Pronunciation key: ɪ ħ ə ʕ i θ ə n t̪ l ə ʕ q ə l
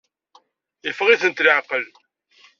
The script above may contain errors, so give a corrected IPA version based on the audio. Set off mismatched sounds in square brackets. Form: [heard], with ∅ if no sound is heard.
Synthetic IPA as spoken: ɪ [f] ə [ʁ] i θ ə n t̪ l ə ʕ q ə l